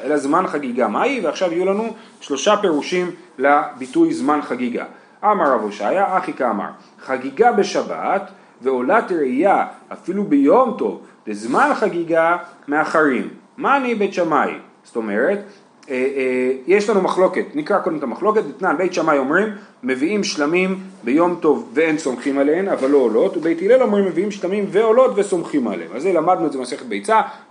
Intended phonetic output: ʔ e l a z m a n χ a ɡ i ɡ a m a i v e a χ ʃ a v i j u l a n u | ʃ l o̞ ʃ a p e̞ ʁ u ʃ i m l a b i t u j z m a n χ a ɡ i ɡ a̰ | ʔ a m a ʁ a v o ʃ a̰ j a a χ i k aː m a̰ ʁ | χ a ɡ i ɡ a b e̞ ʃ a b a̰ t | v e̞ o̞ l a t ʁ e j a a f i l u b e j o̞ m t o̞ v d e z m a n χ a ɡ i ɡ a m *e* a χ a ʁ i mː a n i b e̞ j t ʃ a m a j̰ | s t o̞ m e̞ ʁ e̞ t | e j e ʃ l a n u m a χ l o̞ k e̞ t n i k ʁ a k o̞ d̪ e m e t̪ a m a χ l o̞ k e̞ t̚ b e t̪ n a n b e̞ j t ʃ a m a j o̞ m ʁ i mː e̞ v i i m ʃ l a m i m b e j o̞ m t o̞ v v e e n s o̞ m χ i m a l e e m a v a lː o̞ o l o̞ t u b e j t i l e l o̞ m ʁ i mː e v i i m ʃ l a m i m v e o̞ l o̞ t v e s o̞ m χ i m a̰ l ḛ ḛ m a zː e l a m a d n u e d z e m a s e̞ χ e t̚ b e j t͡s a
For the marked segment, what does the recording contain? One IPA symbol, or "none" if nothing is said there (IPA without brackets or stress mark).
e